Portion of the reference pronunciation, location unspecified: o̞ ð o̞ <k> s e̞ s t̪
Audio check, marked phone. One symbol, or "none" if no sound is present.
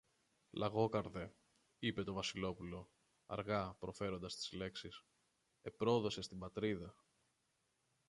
none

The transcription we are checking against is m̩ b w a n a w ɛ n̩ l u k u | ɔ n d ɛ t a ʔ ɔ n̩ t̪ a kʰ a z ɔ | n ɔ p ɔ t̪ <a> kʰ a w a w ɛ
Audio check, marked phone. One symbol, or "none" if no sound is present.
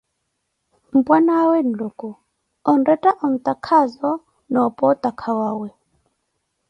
a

